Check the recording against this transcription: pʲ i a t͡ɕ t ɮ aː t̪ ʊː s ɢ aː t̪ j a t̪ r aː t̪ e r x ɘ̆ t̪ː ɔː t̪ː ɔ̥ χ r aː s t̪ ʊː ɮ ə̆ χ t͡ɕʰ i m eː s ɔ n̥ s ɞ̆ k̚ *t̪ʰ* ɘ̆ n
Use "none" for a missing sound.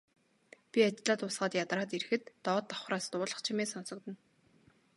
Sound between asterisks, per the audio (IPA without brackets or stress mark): t̪